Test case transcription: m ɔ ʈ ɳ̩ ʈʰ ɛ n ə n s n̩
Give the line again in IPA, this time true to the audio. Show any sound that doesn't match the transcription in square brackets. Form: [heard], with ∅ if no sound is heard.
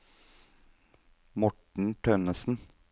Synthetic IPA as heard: m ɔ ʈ ɳ̩ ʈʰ [œ] n ə [∅] s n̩